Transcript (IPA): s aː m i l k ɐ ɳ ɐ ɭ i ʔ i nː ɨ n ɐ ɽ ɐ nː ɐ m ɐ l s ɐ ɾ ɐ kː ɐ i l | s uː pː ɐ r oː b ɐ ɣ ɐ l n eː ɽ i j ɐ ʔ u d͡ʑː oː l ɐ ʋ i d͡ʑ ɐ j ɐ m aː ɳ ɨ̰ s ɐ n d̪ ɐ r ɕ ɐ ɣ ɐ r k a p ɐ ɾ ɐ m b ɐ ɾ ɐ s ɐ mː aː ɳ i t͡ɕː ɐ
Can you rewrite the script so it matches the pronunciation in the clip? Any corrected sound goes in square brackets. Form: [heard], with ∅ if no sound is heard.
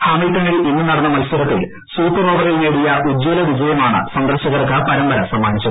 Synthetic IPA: [h] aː m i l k ɐ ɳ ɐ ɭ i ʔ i nː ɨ n ɐ ɽ ɐ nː ɐ m ɐ l s ɐ ɾ ɐ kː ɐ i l | s uː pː ɐ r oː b ɐ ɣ ɐ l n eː ɽ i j ɐ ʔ u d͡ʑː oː l ɐ ʋ i d͡ʑ ɐ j ɐ m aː ɳ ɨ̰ s ɐ n d̪ ɐ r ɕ ɐ ɣ ɐ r k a p ɐ ɾ ɐ m b ɐ ɾ ɐ s ɐ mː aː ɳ i t͡ɕː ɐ